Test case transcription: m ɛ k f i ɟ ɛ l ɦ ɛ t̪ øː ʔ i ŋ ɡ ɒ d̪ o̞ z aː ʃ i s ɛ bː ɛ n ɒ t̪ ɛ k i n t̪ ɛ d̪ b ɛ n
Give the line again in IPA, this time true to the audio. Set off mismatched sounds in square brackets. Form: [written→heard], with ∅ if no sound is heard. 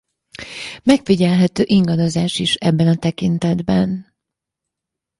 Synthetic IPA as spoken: m ɛ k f i ɟ ɛ l ɦ ɛ t̪ øː ʔ i ŋ ɡ ɒ d̪ o̞ z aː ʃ i [s→ʃ] ɛ bː ɛ n ɒ t̪ ɛ k i n t̪ ɛ d̪ b ɛ n